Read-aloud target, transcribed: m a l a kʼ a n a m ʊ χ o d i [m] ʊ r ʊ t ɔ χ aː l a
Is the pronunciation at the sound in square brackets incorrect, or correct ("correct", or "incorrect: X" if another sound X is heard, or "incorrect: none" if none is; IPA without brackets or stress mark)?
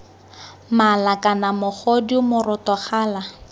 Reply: correct